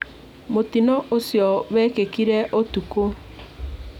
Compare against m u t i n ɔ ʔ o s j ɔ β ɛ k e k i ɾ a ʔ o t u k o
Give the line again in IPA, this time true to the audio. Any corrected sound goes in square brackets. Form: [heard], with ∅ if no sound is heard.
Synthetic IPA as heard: m [o] t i n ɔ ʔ o s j ɔ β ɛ k e k i ɾ [ɛ] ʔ o t u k o